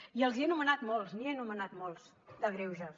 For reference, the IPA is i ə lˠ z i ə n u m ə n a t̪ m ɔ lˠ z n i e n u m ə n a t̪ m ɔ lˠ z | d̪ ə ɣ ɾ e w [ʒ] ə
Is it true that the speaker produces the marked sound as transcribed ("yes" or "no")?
yes